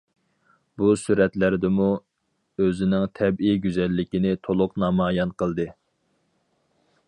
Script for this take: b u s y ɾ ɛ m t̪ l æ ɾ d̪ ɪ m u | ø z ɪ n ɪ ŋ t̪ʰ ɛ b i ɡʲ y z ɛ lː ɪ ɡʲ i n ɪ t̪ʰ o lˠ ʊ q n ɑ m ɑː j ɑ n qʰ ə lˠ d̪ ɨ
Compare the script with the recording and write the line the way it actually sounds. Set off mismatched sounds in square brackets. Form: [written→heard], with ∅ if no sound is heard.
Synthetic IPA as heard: b u s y ɾ ɛ [m→∅] t̪ l æ ɾ d̪ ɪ m u | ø z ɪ n ɪ ŋ t̪ʰ ɛ b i ɡʲ y z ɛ lː ɪ [ɡʲ→kʲ] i n ɪ t̪ʰ o lˠ ʊ q n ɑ m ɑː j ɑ n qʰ ə lˠ d̪ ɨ